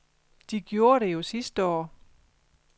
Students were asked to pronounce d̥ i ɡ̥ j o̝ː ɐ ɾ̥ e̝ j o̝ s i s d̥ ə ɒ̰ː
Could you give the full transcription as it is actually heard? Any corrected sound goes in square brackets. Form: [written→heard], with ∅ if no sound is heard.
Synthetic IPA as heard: d̥ i ɡ̥ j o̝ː ɐ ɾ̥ e̝ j o̝ s i s d̥ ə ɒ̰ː